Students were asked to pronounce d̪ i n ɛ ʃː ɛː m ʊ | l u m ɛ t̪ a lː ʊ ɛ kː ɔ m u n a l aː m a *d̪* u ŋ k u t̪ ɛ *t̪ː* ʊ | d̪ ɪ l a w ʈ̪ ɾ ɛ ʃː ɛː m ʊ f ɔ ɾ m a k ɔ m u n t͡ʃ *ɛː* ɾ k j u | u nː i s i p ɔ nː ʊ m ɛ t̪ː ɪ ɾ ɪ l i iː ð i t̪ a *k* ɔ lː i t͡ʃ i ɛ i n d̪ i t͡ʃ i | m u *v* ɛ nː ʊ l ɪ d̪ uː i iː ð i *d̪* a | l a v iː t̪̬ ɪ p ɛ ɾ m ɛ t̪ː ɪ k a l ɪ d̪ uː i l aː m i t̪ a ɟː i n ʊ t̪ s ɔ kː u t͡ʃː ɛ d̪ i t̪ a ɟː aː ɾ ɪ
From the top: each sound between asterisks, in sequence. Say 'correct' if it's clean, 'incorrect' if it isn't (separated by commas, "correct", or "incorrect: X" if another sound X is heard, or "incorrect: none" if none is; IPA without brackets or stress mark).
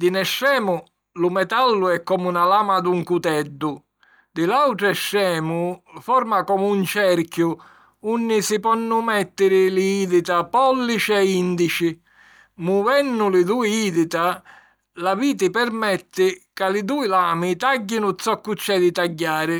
correct, incorrect: d̪ː, incorrect: ɛ, incorrect: p, correct, incorrect: t̪